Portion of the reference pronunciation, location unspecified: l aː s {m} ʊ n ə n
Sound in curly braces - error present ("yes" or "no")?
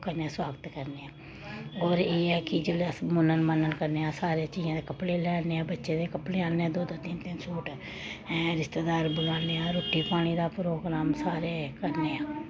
no